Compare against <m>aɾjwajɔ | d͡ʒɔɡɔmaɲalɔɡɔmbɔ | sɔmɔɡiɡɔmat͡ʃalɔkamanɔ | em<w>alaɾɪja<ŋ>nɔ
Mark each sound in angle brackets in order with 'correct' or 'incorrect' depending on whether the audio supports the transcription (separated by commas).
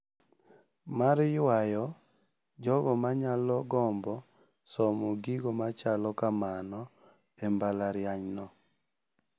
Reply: correct, incorrect, incorrect